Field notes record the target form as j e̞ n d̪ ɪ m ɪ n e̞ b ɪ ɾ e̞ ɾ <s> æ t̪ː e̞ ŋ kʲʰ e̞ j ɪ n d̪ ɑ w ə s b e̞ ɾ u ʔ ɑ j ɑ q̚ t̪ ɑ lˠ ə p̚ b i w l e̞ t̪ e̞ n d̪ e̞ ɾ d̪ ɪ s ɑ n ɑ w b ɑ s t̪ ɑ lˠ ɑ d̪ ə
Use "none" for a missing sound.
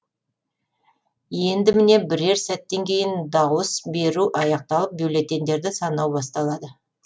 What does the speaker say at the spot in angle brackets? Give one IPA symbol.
s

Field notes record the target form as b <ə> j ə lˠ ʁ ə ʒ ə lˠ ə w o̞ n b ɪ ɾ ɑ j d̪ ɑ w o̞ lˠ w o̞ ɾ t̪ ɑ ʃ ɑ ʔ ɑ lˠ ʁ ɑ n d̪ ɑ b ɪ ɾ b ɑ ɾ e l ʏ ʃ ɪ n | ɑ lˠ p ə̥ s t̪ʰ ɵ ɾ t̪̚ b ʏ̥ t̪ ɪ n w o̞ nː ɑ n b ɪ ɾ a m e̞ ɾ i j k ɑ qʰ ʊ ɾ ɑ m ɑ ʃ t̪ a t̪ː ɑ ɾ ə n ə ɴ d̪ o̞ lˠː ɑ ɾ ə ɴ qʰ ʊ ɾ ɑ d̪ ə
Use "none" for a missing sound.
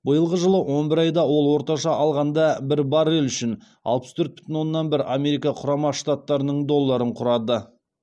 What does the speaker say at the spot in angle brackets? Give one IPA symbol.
ə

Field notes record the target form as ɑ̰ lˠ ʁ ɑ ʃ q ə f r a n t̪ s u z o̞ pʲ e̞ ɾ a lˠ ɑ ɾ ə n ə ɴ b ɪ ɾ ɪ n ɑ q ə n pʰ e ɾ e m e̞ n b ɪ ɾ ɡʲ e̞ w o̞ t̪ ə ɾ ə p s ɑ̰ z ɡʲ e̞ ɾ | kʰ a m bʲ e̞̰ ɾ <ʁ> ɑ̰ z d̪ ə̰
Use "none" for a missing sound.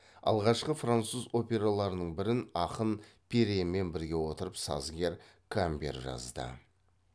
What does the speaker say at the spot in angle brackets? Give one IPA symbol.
ʒ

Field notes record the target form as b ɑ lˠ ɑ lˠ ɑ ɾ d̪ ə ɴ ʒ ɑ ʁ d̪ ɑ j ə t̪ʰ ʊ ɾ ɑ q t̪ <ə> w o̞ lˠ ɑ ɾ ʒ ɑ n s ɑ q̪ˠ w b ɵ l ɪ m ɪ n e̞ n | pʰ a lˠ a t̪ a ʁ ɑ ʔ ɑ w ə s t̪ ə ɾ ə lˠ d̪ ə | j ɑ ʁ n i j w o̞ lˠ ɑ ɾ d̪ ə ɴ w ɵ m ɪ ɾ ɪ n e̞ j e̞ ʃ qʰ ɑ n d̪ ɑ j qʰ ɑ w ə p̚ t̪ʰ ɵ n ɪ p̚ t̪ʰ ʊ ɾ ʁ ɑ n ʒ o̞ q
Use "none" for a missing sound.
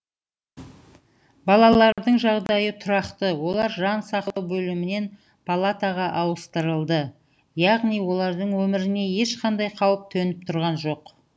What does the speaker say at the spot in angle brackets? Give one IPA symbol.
ə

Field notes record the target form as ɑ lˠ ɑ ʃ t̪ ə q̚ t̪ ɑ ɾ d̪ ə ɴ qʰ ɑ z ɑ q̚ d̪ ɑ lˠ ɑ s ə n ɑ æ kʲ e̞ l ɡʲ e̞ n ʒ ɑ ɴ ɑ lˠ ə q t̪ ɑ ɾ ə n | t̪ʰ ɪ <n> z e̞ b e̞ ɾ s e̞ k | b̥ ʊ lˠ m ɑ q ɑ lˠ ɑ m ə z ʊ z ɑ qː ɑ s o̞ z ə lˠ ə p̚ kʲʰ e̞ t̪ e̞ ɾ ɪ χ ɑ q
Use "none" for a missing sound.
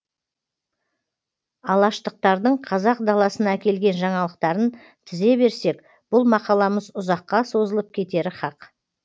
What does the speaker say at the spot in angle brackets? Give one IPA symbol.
none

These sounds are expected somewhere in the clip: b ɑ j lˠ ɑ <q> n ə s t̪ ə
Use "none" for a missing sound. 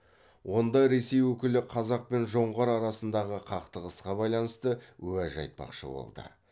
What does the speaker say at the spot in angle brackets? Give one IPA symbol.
none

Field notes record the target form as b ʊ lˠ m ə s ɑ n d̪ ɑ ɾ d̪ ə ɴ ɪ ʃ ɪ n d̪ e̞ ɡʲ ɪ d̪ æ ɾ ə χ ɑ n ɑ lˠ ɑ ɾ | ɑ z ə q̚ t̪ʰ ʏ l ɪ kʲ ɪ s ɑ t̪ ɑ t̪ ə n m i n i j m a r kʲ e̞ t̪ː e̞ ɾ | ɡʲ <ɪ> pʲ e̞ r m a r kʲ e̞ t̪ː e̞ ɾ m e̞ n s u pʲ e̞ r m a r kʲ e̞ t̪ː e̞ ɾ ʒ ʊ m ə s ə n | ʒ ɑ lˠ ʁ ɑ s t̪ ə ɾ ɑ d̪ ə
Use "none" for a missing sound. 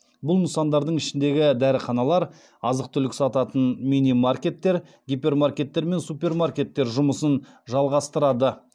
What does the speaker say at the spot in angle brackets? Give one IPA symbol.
i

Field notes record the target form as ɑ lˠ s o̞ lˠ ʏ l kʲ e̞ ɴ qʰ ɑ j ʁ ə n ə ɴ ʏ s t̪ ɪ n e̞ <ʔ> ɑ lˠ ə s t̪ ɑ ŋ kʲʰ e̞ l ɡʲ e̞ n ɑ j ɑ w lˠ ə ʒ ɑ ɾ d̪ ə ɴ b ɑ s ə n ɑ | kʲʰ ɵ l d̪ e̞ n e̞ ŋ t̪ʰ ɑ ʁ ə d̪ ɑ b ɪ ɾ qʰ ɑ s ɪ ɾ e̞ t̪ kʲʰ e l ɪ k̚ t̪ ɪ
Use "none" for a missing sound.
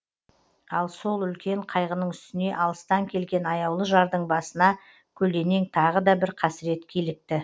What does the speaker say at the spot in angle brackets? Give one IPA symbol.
ʔ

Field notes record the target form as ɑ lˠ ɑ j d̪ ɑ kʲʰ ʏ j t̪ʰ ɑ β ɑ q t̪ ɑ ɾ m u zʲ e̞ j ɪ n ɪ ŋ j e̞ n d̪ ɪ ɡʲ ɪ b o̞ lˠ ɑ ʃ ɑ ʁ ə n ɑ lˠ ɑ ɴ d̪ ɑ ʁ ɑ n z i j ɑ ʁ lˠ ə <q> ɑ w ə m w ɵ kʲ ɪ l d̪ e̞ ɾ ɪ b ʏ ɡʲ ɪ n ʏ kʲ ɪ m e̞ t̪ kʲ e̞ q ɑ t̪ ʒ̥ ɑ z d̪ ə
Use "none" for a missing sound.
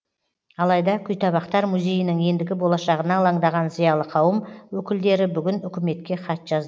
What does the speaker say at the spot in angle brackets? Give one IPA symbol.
qʰ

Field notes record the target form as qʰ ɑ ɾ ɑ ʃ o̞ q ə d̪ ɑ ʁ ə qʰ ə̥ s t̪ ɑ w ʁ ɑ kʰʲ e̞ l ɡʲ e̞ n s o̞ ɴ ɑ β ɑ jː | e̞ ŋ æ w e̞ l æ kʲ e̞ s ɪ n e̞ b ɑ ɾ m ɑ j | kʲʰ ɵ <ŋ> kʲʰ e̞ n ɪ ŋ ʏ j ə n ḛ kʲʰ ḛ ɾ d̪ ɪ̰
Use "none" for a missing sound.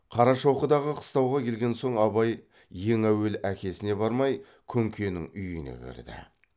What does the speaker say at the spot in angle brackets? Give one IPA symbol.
ŋ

